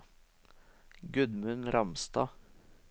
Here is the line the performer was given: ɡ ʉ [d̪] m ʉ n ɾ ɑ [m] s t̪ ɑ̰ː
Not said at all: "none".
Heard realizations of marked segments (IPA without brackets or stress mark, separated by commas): d̪, m